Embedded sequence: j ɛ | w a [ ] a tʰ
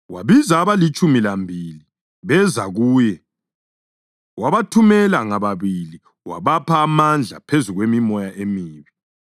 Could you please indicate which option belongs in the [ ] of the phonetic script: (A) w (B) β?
B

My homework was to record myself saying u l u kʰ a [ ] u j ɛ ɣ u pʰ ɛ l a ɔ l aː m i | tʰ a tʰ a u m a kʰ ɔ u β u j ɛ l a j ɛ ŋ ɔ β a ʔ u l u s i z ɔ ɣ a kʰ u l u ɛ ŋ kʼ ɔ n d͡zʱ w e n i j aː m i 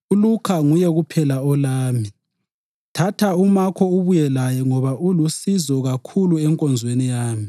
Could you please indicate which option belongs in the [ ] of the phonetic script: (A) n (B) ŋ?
B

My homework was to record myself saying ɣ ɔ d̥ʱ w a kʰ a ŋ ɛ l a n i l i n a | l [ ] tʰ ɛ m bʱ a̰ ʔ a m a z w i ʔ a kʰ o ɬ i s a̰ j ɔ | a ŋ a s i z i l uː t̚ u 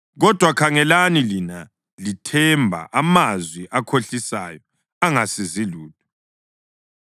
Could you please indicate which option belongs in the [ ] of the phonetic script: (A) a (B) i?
B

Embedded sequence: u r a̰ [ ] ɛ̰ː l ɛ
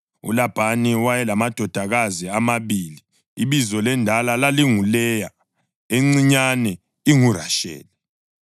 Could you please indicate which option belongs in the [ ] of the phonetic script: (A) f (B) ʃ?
B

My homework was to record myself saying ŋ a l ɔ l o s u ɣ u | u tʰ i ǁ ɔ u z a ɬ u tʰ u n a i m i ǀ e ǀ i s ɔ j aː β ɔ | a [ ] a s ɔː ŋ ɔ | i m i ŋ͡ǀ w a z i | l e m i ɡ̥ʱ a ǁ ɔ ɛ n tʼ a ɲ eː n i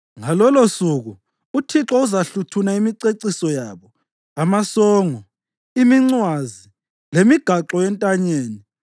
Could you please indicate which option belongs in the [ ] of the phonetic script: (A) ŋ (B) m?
B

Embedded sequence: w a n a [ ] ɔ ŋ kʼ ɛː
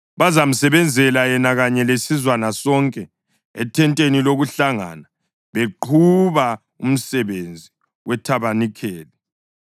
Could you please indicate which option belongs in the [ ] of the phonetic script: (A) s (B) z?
A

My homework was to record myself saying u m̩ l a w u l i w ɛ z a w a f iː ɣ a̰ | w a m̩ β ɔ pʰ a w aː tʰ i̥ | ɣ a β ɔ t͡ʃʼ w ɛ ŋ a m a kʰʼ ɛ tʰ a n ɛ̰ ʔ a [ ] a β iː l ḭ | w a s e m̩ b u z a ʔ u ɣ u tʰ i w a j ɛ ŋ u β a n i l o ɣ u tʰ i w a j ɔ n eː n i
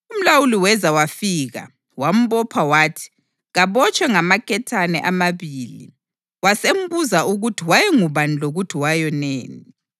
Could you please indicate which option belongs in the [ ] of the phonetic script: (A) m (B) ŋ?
A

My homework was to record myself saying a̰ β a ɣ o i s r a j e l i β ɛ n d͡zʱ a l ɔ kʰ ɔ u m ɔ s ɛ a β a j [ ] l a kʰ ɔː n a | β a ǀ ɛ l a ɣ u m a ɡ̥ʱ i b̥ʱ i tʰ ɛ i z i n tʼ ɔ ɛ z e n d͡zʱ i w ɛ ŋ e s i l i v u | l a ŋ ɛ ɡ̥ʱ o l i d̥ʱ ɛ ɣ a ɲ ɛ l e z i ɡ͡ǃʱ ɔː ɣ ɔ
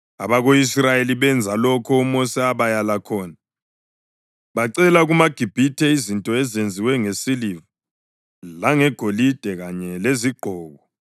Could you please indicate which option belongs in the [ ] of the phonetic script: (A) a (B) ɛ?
A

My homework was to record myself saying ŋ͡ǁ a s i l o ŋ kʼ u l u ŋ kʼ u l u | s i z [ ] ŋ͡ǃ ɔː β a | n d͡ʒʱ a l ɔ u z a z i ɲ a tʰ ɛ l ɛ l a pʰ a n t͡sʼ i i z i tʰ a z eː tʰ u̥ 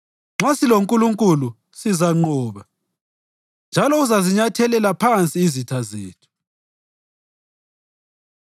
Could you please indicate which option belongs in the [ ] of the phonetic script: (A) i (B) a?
B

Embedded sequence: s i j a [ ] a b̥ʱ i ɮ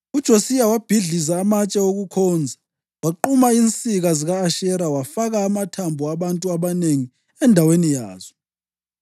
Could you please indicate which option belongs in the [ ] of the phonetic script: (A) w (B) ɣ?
A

